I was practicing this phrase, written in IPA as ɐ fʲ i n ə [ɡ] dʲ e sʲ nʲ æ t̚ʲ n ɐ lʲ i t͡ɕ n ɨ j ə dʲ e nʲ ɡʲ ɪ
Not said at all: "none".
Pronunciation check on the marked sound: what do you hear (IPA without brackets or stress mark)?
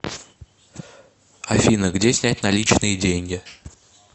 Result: ɡ